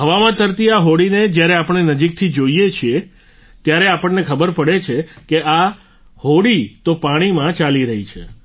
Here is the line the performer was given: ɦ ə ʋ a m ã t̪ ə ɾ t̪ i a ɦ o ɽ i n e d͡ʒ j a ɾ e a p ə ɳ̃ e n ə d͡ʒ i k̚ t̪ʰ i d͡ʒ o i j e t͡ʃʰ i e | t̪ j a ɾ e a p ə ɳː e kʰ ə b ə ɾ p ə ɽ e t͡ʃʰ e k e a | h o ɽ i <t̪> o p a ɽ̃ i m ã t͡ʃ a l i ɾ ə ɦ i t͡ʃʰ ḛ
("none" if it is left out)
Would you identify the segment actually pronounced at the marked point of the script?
t̪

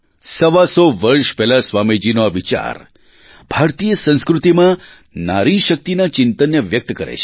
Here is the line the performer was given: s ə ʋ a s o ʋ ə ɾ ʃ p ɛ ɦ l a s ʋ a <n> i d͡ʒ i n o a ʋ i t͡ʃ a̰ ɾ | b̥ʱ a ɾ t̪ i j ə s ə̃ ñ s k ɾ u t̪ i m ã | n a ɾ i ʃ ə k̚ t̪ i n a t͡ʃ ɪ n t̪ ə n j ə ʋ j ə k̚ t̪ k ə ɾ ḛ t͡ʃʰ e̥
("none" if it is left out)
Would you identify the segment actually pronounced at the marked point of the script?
m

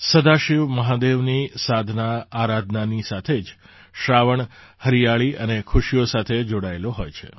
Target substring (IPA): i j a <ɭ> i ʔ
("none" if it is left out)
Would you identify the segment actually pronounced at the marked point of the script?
ɭ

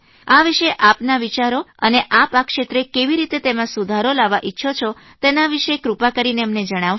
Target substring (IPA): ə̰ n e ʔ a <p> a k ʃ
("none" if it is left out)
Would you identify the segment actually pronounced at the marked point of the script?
p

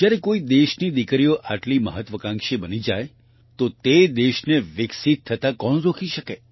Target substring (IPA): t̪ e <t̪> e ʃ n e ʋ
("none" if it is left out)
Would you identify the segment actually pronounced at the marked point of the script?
d̪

